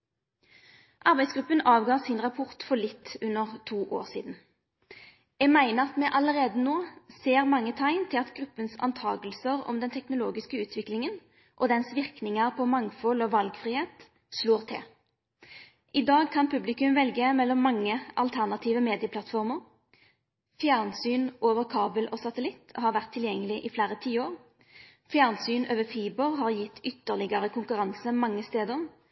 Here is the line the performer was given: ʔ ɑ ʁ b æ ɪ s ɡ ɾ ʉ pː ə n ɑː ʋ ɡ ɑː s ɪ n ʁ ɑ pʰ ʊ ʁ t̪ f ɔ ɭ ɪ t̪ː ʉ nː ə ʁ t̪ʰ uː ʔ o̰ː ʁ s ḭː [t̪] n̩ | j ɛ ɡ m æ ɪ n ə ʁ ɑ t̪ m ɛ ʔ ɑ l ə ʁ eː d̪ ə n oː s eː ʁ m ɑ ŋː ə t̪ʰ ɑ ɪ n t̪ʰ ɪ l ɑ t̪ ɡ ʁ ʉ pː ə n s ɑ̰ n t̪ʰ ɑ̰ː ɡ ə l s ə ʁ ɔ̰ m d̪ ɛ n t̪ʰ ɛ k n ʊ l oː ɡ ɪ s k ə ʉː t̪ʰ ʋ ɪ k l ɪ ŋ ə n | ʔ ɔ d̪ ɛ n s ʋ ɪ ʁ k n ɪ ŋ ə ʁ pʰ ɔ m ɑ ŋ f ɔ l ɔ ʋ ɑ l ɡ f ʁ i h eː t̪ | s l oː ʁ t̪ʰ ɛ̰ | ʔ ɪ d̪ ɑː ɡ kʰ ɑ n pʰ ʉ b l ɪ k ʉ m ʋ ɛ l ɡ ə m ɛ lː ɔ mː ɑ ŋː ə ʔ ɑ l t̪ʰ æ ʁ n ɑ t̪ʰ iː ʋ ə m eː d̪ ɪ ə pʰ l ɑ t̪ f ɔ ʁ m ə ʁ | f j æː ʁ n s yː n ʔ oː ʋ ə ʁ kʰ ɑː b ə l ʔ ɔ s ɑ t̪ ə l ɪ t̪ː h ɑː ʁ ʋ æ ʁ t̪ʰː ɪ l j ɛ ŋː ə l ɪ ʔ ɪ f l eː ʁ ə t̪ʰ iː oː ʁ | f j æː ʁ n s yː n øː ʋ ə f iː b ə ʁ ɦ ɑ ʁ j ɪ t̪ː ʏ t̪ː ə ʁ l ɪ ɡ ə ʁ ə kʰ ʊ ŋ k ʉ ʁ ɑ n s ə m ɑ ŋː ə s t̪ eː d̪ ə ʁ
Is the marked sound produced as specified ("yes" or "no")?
no